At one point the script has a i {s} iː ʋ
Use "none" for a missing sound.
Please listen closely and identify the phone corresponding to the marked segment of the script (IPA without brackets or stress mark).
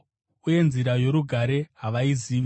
z